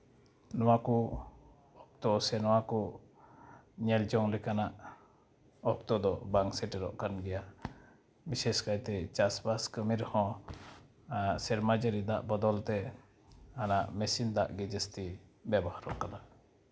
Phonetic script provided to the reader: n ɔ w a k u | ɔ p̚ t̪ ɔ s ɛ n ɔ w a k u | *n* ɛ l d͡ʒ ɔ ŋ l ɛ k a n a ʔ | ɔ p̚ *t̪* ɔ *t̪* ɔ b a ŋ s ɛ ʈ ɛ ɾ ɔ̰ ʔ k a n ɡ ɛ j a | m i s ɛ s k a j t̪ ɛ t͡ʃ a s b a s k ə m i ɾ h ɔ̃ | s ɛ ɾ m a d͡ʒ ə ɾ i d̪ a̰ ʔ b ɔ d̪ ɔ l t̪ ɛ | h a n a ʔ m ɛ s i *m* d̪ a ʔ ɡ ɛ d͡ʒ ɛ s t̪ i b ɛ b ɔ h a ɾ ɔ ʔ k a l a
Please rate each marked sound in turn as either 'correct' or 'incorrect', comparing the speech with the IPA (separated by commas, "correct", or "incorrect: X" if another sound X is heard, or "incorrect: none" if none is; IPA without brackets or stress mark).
incorrect: ɲ, correct, incorrect: d̪, incorrect: n